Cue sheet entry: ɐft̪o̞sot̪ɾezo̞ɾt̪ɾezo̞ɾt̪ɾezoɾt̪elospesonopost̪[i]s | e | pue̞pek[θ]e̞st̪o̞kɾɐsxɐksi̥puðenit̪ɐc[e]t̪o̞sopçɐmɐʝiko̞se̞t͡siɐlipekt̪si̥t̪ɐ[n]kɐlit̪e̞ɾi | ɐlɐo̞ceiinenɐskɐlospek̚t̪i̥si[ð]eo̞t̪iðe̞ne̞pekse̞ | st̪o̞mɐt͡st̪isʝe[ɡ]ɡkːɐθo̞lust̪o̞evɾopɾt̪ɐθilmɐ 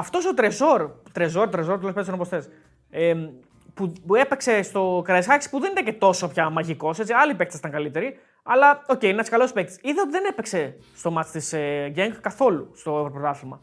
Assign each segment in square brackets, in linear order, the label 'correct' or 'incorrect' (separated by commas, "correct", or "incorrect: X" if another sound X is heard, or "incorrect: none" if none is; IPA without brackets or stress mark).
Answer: incorrect: e, incorrect: s, correct, incorrect: ŋ, correct, incorrect: ŋ